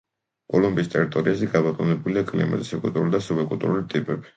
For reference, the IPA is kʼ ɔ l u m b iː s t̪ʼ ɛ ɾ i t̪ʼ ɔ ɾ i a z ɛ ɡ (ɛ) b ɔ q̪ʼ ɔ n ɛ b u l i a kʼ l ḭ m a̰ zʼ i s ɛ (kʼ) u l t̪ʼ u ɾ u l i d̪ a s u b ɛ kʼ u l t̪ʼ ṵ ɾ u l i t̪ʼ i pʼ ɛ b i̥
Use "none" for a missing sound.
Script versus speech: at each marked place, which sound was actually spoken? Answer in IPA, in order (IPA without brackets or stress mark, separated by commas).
a, kʼ